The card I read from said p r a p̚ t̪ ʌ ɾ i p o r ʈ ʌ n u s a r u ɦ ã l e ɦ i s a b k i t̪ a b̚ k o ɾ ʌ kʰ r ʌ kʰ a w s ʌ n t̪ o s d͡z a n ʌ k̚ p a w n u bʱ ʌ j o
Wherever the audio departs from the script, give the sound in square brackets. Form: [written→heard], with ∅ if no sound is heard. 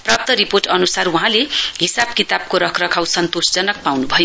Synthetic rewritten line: p r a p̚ t̪ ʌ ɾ i p o r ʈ ʌ n u s a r u ɦ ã l e ɦ i s a b k i t̪ a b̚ k o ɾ ʌ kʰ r ʌ kʰ a w s ʌ n t̪ o s d͡z [a→ʌ] n ʌ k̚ p a w n u bʱ ʌ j o

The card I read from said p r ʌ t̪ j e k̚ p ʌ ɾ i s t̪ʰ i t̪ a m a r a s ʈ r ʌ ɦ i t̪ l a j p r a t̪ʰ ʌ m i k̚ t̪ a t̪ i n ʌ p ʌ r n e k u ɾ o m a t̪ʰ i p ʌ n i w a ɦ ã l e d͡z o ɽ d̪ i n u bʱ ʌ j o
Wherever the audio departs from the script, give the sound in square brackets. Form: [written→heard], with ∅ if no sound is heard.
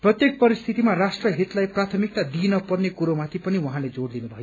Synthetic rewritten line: p r ʌ t̪ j e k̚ p ʌ ɾ i s t̪ʰ i t̪ [a→i] m a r a s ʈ r ʌ ɦ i t̪ l a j p r a t̪ʰ ʌ m i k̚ t̪ a [t̪→d̪] i n ʌ p ʌ r n e k u ɾ o m a t̪ʰ i p ʌ n i w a ɦ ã l e d͡z o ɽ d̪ i n u bʱ ʌ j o

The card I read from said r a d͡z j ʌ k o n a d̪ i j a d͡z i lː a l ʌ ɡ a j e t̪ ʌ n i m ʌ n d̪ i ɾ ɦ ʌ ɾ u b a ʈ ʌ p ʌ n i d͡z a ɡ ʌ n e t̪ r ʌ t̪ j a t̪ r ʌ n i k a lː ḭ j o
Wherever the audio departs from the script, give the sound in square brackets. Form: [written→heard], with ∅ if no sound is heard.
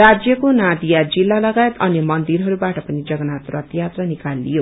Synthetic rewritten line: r a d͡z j ʌ k o n a d̪ i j a d͡z i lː a l ʌ ɡ a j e t̪ ʌ n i m ʌ n d̪ i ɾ ɦ ʌ ɾ u b a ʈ ʌ p ʌ n i d͡z [a→ʌ] ɡ ʌ n [e→a] t̪ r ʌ t̪ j a t̪ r ʌ n i k a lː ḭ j o

